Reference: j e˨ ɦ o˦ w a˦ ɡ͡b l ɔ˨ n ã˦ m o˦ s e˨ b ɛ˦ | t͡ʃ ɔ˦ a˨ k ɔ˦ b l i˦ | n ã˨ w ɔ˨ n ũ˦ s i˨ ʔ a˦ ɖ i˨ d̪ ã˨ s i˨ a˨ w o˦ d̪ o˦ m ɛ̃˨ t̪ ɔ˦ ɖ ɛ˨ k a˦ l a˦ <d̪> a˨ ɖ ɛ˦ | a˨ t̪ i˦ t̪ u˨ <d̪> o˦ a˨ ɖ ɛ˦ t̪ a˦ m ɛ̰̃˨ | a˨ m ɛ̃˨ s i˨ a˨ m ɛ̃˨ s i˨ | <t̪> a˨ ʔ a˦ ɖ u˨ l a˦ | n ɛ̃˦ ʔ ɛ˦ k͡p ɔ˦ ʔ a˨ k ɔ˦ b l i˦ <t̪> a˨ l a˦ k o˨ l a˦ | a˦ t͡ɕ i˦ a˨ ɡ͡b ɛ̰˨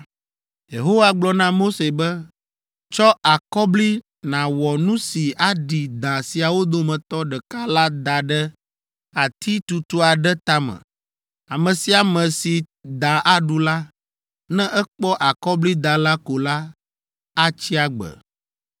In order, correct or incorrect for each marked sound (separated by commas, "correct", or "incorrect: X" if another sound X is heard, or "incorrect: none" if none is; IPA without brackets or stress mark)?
correct, incorrect: t̪, incorrect: d̪, incorrect: d̪